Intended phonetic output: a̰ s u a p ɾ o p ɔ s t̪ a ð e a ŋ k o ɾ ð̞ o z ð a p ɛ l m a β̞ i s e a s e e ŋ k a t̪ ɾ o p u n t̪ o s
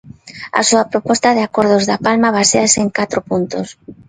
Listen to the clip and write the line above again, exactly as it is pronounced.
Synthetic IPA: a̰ s u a p ɾ o p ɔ s t̪ a ð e a k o ɾ ð̞ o z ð a p a l m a β̞ a s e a s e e ŋ k a t̪ ɾ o p u n t̪ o s